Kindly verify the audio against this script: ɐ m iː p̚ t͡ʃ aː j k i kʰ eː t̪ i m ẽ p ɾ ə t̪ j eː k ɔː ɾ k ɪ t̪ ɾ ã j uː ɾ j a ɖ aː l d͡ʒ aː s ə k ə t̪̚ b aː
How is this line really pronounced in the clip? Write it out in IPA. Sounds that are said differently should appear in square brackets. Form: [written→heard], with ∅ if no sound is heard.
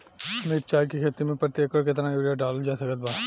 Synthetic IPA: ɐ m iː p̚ t͡ʃ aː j k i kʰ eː t̪ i m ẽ p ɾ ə t̪ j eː k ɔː ɾ k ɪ t̪ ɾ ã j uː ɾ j a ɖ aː l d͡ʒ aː s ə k ə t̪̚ b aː